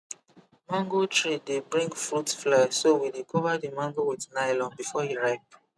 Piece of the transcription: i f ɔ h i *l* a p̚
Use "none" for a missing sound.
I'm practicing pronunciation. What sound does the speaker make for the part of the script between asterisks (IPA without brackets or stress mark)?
ɹ